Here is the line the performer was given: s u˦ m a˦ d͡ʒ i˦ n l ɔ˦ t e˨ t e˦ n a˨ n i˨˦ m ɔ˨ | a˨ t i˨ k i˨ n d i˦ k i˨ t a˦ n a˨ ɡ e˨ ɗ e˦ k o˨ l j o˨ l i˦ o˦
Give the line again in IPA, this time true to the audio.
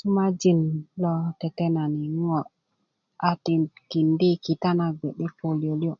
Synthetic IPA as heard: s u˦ m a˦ d͡ʒ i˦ n l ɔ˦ t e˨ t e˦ n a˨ n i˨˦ ŋ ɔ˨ | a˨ t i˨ k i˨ n d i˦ k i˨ t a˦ n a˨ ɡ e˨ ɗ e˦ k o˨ l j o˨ l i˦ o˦